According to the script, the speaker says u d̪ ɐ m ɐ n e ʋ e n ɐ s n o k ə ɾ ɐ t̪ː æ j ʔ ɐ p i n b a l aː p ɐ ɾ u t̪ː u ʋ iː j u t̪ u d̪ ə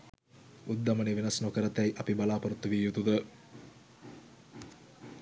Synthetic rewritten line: u d̪ː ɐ m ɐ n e ʋ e n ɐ s n o k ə ɾ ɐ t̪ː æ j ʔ ɐ p i b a l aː p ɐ ɾ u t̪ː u ʋ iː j u t̪ u d̪ ə